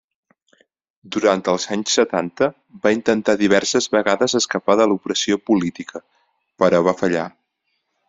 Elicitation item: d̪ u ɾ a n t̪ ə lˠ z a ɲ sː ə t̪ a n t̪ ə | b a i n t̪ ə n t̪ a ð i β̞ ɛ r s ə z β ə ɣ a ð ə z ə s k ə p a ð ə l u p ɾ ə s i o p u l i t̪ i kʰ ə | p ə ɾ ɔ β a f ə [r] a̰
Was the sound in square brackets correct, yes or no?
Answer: no